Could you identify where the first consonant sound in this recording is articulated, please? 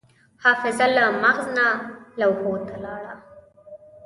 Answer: glottal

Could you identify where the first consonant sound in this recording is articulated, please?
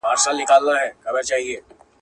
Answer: alveolar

